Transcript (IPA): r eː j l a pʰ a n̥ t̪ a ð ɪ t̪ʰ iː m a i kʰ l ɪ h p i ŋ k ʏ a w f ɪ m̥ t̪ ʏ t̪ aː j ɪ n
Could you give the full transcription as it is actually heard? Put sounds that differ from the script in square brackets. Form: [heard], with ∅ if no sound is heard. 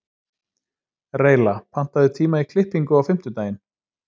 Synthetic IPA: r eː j l a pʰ a n̥ t̪ a ð ɪ t̪ʰ iː m a i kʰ l ɪ h p i ŋ k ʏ a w f ɪ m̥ t̪ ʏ t̪ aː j ɪ n